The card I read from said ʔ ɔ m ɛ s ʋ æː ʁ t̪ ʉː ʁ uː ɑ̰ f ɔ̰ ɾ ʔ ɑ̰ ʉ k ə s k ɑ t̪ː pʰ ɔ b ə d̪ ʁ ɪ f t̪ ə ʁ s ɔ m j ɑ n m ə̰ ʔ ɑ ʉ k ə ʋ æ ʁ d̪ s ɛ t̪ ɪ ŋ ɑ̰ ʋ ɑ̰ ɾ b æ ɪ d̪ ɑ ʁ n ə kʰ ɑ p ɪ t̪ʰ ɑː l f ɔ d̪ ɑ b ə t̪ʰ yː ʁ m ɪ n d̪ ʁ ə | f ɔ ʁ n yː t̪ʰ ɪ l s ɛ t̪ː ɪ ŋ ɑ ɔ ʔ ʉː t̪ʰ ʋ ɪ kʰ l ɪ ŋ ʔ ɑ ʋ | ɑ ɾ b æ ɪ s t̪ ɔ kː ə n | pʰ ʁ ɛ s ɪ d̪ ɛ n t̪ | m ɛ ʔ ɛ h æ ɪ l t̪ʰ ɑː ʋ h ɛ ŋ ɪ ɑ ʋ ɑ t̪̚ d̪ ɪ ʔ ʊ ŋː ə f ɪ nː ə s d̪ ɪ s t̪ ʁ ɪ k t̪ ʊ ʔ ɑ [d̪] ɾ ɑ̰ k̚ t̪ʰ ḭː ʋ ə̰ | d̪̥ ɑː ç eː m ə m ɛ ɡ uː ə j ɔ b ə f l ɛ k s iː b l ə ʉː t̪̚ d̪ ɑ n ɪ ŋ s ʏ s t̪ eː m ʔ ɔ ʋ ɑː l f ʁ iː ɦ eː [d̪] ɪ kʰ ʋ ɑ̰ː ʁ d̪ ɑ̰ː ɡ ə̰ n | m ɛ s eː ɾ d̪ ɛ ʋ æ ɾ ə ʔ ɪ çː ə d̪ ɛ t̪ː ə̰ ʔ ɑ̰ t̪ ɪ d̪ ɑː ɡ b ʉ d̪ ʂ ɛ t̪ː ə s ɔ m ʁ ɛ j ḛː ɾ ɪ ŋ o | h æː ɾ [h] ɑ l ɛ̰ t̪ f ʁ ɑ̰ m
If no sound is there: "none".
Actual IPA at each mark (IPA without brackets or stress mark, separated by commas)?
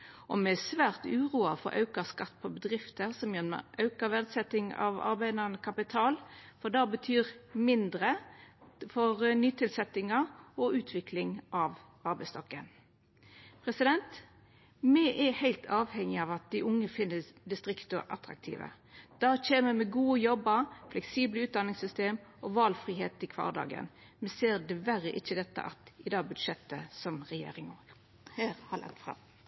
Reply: t̪, t̪, h